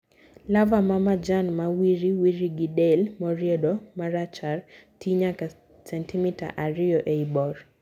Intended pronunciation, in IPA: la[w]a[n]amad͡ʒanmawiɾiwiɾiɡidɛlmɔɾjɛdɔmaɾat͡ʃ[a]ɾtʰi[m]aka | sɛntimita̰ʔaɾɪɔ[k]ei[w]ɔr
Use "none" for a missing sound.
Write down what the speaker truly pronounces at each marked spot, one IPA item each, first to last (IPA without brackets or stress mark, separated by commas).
v, m, a, ɲ, ʔ, b